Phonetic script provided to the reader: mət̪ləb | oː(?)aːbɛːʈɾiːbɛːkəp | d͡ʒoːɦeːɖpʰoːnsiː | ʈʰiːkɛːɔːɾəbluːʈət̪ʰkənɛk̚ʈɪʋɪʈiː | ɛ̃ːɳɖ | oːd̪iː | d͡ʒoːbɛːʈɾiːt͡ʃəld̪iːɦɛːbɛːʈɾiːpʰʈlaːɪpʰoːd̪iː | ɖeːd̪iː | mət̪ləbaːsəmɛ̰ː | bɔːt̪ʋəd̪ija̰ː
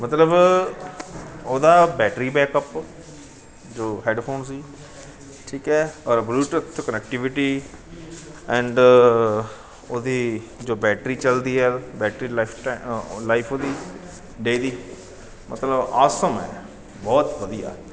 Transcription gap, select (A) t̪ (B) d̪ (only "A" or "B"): B